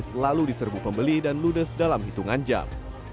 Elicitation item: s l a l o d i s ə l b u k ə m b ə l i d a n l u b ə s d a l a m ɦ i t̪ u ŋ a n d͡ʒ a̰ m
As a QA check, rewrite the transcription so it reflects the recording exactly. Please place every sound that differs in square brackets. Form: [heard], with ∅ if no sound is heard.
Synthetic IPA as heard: s l a l [u] d i s ə [r] b u [p] ə m b ə l i d a n l u [d] ə s d a l a m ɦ i t̪ u ŋ a n d͡ʒ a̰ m